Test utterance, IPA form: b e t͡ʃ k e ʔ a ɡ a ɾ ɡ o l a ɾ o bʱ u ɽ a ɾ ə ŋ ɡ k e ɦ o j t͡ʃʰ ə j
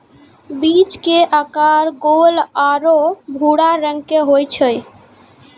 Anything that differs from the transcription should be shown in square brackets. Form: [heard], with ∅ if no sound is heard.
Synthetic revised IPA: b [i] t͡ʃ k e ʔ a [k] a ɾ ɡ o l a ɾ o bʱ u ɽ a ɾ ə ŋ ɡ k e ɦ o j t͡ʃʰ ə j

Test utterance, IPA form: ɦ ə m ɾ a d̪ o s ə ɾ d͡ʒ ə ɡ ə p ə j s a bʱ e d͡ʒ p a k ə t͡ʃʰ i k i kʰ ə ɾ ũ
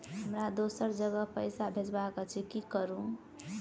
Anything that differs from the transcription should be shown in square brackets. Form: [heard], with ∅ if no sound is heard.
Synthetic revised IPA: ɦ ə m ɾ a d̪ o s ə ɾ d͡ʒ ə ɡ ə p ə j s a bʱ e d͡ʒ [b] a k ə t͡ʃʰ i k i [k] ə ɾ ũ

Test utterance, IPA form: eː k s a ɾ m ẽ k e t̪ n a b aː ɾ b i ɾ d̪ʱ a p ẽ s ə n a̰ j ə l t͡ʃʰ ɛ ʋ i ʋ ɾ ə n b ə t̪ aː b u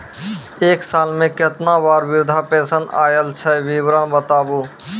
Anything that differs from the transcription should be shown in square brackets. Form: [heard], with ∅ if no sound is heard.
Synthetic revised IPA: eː k s a [l] m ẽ k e t̪ n a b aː ɾ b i ɾ d̪ʱ a p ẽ s ə n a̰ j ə l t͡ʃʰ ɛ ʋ i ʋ ɾ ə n b ə t̪ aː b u

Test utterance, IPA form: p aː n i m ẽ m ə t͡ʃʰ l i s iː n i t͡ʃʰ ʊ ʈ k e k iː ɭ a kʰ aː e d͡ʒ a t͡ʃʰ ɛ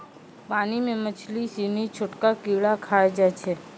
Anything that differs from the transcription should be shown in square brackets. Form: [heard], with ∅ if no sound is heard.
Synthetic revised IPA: p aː n i m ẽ m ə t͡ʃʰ l i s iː n i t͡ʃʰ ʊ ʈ k [a] k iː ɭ a kʰ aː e d͡ʒ a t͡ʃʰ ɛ

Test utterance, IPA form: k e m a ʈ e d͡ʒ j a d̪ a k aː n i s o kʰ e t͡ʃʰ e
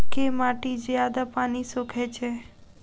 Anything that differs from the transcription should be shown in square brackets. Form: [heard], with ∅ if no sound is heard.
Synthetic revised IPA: k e m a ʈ [i] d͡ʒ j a d̪ a [p] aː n i s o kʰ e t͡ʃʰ e

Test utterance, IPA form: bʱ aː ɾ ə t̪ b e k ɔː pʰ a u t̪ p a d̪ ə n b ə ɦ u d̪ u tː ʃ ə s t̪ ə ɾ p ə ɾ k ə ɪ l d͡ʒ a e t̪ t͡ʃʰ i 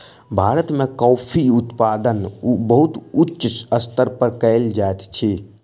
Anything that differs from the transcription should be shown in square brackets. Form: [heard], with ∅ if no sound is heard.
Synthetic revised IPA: bʱ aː ɾ ə t̪ [m] e k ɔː pʰ [i] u t̪ p a d̪ ə n b ə ɦ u [t̪] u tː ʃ ə s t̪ ə ɾ p ə ɾ k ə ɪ l d͡ʒ a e t̪ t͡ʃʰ i

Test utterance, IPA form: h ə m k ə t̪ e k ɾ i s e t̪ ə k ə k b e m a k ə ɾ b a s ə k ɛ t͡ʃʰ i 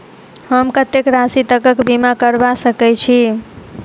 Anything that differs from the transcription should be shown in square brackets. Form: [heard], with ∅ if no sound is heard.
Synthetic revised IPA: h ə m k ə t̪ e k ɾ [a] s [i] t̪ ə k ə k b [i] m a k ə ɾ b a s ə k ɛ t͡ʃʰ i

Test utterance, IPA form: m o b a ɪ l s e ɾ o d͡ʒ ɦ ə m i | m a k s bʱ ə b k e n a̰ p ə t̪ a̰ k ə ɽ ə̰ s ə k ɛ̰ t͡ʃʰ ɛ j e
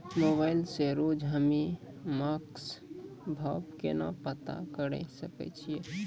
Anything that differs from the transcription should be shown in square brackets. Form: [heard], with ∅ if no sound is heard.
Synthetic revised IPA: m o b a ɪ l s e ɾ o d͡ʒ ɦ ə m i | m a k s bʱ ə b k e n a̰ p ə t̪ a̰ k ə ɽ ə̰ s ə k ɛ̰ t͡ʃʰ [i] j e

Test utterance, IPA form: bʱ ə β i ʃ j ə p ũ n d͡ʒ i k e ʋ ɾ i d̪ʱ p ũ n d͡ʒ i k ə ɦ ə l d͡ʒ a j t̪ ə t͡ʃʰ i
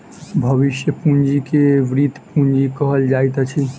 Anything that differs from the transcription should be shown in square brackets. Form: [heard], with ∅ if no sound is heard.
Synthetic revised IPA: bʱ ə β i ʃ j ə p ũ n d͡ʒ i k e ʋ ɾ i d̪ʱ p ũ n d͡ʒ i k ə ɦ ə l d͡ʒ a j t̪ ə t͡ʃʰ i

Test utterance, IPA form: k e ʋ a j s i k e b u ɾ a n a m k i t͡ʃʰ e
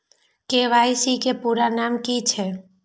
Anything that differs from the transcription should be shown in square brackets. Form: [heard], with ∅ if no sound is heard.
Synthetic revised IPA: k e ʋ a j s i k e [p] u ɾ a n a m k i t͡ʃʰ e

